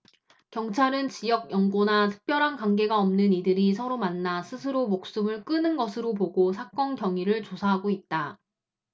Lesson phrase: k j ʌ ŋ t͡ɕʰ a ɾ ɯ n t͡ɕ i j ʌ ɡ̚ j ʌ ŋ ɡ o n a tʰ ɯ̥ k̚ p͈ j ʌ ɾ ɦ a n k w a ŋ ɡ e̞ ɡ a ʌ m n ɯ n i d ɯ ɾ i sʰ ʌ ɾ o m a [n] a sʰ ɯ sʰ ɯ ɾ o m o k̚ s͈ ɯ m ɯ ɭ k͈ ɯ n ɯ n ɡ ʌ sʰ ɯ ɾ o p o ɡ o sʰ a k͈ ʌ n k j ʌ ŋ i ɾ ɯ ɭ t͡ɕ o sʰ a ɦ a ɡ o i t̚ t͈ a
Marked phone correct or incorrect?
incorrect